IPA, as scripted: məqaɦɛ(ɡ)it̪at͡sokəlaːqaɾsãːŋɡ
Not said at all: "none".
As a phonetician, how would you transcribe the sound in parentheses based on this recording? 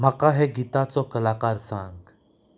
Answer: ɡ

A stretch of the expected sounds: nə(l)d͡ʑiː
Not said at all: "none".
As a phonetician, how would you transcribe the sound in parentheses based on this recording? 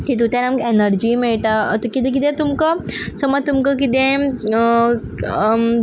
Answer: ɾ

